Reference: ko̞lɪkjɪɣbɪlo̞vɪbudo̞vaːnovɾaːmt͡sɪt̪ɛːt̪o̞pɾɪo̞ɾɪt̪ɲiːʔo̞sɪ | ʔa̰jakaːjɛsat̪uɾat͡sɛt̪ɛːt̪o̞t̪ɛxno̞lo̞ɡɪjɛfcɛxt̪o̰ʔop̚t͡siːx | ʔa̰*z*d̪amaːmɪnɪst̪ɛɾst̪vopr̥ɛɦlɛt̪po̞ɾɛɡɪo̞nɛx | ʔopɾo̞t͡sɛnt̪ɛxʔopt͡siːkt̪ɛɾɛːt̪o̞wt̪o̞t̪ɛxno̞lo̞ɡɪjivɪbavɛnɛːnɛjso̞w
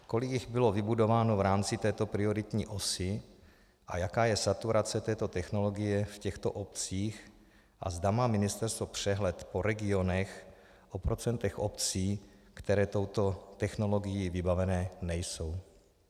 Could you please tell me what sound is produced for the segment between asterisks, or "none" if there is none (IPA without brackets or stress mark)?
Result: z